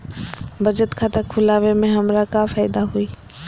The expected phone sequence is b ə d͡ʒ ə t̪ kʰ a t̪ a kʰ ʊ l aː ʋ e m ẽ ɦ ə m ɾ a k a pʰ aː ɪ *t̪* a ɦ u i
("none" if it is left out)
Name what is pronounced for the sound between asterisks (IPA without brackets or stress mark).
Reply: d̪